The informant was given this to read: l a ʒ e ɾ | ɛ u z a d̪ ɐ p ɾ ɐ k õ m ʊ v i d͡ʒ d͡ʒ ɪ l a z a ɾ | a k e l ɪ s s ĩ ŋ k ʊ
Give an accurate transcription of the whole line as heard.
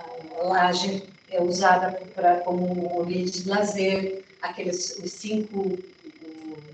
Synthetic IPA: l a ʒ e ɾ | ɛ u z a d̪ ɐ p ɾ ɐ k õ m ʊ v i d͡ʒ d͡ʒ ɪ l a z e ɾ | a k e l ɪ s s ĩ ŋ k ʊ